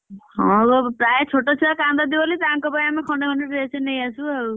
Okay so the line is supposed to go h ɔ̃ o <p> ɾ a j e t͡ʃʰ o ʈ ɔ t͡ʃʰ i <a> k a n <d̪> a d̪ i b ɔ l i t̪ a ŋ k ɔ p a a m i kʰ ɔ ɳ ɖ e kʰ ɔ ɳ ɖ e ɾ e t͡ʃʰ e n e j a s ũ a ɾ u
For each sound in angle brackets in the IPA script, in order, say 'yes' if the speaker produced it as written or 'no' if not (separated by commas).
yes, yes, yes